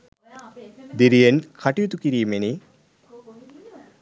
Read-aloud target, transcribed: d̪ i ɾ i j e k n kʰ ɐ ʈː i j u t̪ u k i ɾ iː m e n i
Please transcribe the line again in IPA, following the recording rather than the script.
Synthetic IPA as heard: d̪ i ɾ i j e n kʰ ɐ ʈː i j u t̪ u k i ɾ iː m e n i